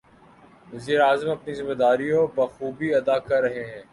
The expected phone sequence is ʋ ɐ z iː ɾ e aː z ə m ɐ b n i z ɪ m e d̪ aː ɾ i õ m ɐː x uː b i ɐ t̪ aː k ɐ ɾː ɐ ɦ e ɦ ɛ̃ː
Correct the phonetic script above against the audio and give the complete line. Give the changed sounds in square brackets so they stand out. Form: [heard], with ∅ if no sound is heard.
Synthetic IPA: ʋ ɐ z iː ɾ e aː z ə m ɐ [p] n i z ɪ m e d̪ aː ɾ i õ [b] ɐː x uː b i ɐ [d̪] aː k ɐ ɾː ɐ ɦ e ɦ ɛ̃ː